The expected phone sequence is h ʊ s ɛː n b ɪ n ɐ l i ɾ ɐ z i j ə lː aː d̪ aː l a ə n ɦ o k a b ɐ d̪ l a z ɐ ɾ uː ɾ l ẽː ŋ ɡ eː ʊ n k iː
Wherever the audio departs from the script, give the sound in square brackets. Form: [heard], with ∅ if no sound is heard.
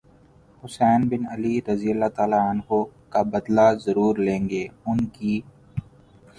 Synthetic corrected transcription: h ʊ s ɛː n b ɪ n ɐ l i ɾ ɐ z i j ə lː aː [t̪] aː l a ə n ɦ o k a b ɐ d̪ l a z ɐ ɾ uː ɾ l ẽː ŋ ɡ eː ʊ n k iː